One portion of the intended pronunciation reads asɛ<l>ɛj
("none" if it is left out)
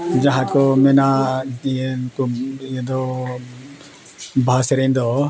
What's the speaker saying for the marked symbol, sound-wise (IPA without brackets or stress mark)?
ɾ